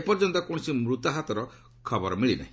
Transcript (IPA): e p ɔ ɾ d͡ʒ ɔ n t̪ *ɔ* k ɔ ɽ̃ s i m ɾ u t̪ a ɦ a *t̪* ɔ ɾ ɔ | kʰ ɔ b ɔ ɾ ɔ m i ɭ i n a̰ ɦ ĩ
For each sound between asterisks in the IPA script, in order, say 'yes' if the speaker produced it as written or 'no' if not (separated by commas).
yes, yes